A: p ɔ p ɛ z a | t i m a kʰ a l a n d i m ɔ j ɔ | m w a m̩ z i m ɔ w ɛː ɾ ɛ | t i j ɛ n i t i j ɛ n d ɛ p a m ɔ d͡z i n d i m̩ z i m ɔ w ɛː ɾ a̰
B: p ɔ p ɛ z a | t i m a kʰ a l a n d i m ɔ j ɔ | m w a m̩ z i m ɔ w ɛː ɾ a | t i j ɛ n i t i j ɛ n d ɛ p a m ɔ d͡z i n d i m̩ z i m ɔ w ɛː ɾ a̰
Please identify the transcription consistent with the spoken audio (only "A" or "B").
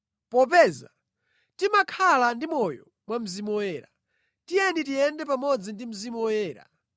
B